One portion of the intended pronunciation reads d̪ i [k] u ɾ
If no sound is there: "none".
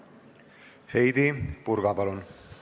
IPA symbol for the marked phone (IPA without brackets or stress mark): p